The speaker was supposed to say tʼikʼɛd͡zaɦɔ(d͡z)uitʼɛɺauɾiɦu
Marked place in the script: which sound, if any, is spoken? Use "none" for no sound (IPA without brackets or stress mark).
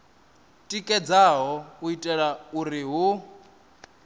none